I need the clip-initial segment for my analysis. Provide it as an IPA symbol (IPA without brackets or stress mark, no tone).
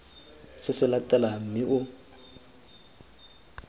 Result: s